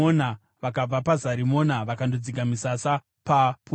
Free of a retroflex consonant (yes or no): yes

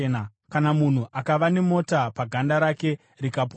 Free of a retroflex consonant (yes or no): yes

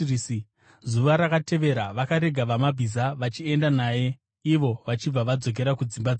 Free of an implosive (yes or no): yes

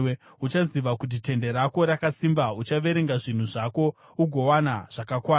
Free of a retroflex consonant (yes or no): no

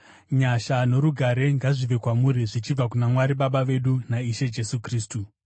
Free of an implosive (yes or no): no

